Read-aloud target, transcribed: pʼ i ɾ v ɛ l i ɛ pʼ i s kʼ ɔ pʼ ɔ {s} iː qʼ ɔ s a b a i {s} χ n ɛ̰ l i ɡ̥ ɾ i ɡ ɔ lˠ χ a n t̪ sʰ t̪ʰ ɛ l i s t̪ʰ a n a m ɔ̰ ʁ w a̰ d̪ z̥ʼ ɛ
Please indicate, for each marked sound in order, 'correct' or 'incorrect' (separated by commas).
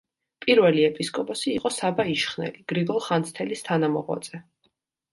correct, incorrect